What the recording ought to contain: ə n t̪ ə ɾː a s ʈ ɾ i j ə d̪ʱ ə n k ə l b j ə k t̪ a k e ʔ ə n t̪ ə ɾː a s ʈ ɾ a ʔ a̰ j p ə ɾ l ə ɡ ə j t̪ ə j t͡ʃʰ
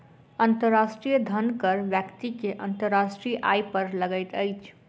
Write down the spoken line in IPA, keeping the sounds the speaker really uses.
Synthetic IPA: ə n t̪ ə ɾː a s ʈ ɾ i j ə d̪ʱ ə n k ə ɾ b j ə k t̪ i k e ʔ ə n t̪ ə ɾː a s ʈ ɾ i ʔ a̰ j p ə ɾ l ə ɡ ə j t̪ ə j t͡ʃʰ

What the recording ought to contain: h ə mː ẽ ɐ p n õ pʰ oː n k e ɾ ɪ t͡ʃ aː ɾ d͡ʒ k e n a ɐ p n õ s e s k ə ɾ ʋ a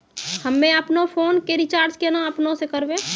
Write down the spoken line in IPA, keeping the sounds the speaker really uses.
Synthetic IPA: h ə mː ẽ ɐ p n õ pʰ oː n k e ɾ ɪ t͡ʃ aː ɾ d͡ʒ k e n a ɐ p n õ s e k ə ɾ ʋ e

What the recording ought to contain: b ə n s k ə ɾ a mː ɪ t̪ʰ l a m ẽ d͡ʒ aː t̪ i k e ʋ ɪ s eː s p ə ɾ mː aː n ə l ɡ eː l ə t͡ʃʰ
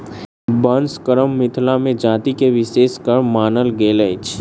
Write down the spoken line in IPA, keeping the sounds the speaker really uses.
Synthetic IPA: b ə n s k ə ɾ ə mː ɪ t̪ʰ l a m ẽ d͡ʒ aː t̪ i k e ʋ ɪ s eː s k ə ɾ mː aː n ə l ɡ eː l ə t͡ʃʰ

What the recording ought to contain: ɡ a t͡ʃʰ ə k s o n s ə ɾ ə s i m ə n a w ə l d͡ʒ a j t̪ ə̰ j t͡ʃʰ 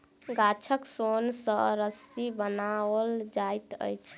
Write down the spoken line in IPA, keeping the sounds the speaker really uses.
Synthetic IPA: ɡ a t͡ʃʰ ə k s o n s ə ɾ ə s i b ə n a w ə l d͡ʒ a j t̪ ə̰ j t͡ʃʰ

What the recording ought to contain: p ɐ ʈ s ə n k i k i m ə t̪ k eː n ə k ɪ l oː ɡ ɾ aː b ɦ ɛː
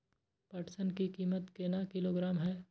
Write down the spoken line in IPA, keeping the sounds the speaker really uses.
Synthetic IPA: p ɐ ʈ s ə n k i k iː m ə t̪ k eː n a k ɪ l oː ɡ ɾ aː m ɦ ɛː

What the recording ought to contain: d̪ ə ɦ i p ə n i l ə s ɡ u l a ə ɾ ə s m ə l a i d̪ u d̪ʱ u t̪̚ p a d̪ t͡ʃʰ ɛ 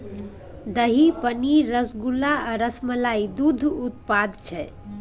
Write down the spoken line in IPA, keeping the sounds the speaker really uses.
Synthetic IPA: d̪ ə ɦ i p ə n i ɾ ə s ɡ u l a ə ɾ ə s m ə l a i d̪ u d̪ʱ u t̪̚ p a d̪ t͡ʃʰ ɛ

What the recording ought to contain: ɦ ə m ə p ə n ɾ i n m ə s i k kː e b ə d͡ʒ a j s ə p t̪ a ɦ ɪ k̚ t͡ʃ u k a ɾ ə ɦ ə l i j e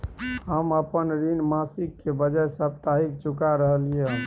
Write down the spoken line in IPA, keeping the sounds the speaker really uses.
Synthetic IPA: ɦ ə m ə p ə n ɾ i n m a s i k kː e b ə d͡ʒ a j s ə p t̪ a ɦ i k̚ t͡ʃ u k a ɾ ə ɦ ə l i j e

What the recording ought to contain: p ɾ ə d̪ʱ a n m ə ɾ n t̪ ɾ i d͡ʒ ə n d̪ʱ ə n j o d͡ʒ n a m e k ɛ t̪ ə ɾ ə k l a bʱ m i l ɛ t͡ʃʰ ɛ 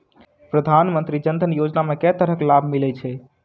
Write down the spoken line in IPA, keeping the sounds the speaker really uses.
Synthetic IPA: p ɾ ə d̪ʱ a n m ə n t̪ ɾ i d͡ʒ ə n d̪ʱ ə n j o d͡ʒ n a m e k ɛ t̪ ə ɾ ə k l a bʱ m i l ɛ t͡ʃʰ ɛ

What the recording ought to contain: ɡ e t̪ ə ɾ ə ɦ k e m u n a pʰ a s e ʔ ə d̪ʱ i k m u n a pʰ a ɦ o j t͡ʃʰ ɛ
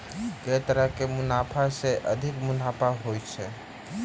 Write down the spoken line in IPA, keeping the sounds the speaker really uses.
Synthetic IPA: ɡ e t̪ ə ɾ ə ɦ k e m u n a pʰ a s e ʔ ə d̪ʱ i k m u n a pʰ a ɦ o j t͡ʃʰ ɛ

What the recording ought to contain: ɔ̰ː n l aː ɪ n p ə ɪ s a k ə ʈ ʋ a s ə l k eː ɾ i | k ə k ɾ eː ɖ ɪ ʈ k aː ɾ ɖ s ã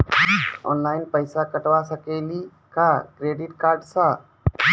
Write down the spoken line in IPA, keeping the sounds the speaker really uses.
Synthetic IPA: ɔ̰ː n l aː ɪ n p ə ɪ s a k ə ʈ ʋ a s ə k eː l i | k a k ɾ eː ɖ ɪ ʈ k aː ɾ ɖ s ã

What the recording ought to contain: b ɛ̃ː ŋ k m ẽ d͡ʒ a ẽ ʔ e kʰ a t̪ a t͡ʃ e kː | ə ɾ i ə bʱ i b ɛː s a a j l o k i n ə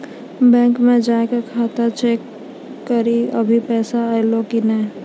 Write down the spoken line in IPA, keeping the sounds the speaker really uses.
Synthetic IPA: b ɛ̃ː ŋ k m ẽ d͡ʒ a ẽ k e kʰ a t̪ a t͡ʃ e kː | ə ɾ i ə bʱ i p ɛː s a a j l o k i n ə

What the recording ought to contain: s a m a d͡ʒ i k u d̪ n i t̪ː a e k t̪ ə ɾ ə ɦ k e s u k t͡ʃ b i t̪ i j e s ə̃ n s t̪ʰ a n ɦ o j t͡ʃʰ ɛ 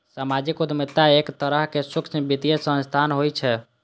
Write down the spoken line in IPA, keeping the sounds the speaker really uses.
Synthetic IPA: s a m a d͡ʒ i k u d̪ m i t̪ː a e k t̪ ə ɾ ə ɦ k e s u k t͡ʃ b i t̪ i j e s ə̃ n s t̪ʰ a n ɦ o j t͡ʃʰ ɛ

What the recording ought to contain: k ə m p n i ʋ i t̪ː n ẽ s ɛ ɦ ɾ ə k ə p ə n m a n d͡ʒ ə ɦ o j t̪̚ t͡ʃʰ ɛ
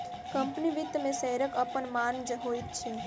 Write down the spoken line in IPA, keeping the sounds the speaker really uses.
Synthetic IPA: k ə m p n i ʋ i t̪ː m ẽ s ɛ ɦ ɾ ə k ə p ə n m a n d͡ʒ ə ɦ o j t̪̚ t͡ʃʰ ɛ

